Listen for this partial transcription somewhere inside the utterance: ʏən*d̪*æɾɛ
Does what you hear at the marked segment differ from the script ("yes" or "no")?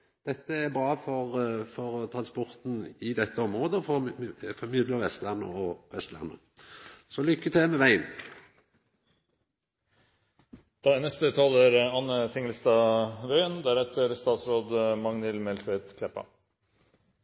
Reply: no